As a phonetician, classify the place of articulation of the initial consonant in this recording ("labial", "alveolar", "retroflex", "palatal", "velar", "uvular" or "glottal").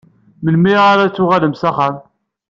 labial